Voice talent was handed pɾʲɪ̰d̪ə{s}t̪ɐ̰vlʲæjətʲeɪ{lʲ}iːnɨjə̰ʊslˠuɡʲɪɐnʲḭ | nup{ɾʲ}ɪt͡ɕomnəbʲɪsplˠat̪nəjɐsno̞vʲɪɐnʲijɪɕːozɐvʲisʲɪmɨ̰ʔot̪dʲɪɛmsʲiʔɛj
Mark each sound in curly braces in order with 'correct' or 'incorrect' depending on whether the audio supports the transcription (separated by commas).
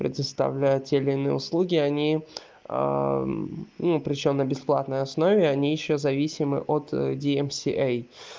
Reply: correct, correct, correct